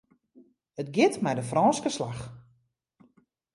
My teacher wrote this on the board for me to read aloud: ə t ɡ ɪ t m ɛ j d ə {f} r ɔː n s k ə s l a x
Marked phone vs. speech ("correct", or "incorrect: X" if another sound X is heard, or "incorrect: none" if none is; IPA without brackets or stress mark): correct